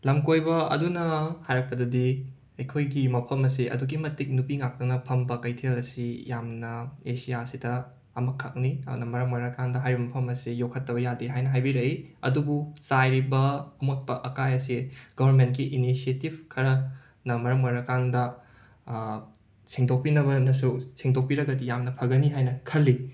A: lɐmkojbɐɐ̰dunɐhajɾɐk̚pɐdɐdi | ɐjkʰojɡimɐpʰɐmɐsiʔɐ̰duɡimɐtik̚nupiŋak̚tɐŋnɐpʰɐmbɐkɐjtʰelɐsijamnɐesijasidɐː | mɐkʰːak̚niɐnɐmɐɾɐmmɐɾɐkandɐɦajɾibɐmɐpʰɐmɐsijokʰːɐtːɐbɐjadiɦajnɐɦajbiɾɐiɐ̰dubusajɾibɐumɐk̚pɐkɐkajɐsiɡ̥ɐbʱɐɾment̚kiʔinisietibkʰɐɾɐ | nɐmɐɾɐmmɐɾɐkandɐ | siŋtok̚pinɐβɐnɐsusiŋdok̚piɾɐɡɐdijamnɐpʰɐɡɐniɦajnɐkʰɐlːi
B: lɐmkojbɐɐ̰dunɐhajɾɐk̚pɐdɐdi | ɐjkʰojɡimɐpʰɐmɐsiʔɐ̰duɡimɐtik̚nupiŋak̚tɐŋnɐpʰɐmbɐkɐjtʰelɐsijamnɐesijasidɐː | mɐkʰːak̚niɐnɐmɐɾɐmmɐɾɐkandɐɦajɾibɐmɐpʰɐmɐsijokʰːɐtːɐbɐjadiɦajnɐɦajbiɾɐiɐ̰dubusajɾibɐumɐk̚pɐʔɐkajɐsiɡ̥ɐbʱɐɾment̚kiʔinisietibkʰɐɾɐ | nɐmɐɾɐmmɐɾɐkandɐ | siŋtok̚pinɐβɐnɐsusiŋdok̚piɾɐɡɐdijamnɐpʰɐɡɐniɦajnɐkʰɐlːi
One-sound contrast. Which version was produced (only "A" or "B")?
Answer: B